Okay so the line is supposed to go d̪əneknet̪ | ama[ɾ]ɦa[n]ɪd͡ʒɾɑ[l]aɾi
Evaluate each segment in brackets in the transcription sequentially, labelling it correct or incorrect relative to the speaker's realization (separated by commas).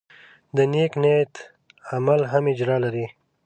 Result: incorrect, incorrect, correct